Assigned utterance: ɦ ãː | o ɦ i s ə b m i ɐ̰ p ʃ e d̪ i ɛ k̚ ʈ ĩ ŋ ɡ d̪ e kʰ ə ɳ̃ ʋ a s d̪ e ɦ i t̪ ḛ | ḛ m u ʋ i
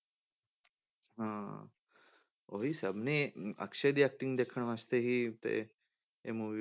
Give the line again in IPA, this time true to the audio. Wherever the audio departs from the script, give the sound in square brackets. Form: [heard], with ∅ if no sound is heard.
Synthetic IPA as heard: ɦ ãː | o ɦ i s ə b [n] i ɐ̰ [k] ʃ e d̪ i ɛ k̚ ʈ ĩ ŋ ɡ d̪ e kʰ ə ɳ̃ ʋ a s [t̪] e ɦ i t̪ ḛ | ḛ m u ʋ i